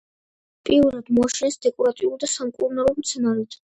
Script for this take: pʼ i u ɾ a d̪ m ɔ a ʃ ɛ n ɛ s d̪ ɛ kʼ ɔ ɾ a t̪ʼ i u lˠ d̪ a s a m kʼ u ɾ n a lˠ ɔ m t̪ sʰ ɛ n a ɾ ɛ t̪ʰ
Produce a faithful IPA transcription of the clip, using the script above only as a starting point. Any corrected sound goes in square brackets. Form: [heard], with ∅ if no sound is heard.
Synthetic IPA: pʼ i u ɾ a d̪ m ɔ a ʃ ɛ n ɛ s d̪ ɛ kʼ ɔ ɾ a t̪ʼ i u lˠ d̪ a s a m kʼ u ɾ n a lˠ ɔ m t̪ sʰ ɛ n a ɾ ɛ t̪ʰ